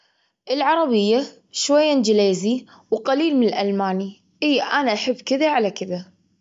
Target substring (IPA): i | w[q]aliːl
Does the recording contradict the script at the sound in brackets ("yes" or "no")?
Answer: no